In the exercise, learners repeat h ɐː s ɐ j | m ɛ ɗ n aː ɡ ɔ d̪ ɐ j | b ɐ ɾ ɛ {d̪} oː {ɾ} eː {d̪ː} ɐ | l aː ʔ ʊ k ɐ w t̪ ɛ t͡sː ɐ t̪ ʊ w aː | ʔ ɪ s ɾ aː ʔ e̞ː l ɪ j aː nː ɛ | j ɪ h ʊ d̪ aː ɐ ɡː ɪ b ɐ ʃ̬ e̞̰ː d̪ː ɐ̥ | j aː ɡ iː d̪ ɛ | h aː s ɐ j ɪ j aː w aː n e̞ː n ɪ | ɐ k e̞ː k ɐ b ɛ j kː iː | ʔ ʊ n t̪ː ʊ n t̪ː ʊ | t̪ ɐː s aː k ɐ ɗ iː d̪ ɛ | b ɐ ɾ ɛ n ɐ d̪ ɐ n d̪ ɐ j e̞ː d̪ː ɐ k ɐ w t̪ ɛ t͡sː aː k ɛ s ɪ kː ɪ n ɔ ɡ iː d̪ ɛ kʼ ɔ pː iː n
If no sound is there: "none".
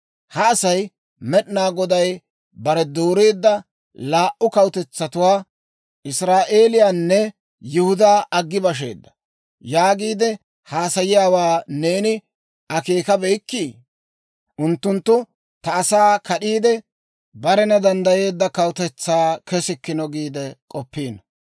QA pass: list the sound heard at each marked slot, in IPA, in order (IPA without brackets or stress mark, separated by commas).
d̪, ɾ, d̪ː